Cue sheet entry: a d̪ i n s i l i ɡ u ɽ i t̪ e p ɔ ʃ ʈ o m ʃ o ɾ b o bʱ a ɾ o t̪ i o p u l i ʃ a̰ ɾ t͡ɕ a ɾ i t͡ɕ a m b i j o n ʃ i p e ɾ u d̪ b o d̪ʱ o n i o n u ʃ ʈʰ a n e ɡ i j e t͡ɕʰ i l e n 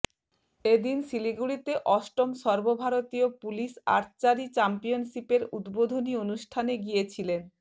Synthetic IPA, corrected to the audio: e d̪ i n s i l i ɡ u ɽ i t̪ e ʔ ɔ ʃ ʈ o m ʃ ɔ ɾ b o bʱ a ɾ o t̪ i o p u l i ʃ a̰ ɾ t͡ɕ a ɾ i t͡ɕ a m p i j o n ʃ i p e ɾ u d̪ b o d̪ʱ o n i o n u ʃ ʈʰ a n e ɡ i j e t͡ɕʰ i l e n